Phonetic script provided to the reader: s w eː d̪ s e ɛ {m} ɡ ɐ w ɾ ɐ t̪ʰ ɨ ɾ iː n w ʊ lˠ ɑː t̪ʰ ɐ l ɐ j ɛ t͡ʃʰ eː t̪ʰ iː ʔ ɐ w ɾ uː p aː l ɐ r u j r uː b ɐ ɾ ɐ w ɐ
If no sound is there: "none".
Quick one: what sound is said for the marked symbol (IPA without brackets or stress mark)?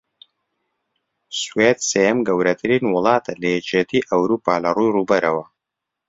m